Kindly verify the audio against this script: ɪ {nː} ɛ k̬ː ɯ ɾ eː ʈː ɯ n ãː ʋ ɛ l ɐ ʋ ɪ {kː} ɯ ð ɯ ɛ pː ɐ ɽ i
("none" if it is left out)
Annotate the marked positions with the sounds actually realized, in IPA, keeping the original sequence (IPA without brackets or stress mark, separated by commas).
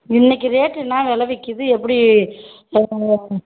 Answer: nː, kː